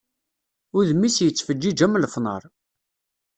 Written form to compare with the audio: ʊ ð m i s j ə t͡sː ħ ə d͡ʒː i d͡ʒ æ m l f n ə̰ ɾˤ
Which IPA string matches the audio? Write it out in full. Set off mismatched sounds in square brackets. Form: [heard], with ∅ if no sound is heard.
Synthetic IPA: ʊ ð m i s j ə t͡sː [f] ə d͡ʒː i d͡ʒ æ m l f n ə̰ ɾˤ